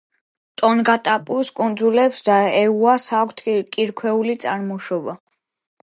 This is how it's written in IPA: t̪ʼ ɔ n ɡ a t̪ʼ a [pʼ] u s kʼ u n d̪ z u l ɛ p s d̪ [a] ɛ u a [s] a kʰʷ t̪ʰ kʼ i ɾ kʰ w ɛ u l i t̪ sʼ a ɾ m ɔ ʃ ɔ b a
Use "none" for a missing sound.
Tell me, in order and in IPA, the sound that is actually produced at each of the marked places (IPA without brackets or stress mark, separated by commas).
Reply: pʼ, a, s